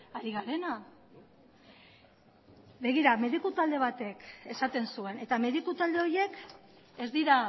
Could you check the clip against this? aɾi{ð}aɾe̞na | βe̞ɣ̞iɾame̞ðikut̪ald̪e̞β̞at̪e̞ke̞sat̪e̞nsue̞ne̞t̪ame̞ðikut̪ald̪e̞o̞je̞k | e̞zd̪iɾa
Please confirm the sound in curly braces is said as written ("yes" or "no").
no